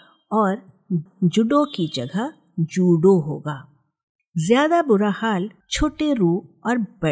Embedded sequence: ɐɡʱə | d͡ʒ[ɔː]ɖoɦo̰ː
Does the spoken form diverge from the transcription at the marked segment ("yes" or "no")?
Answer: yes